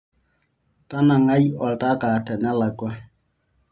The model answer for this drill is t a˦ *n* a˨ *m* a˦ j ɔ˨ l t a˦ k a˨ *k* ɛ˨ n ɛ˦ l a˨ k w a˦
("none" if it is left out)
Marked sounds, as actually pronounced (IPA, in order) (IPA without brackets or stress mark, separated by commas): n, ŋ, t